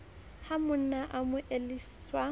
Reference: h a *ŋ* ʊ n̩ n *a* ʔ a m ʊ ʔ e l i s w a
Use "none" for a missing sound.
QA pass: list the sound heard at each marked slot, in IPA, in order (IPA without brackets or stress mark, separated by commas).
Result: m, a